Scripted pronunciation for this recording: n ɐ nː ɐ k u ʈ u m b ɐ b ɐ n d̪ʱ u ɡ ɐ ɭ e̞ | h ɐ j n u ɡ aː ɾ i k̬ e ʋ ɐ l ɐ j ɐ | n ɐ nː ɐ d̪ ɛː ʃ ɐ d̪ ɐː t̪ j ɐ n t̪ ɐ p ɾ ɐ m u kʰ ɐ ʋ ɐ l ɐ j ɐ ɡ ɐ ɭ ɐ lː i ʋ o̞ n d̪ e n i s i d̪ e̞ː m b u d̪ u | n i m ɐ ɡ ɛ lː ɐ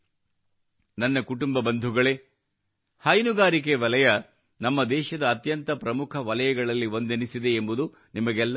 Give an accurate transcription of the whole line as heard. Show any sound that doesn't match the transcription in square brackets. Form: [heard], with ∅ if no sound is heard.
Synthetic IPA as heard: n ɐ nː ɐ k u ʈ u m b ɐ b ɐ n d̪ʱ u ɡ ɐ ɭ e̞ | h ɐ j n u ɡ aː ɾ i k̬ e ʋ ɐ l ɐ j ɐ | n ɐ [mː] ɐ d̪ ɛː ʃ ɐ d̪ ɐː t̪ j ɐ n t̪ ɐ p ɾ ɐ m u kʰ ɐ ʋ ɐ l ɐ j ɐ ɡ ɐ ɭ ɐ lː i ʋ o̞ n d̪ e n i s i d̪ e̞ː m b u d̪ u | n i m ɐ ɡ ɛ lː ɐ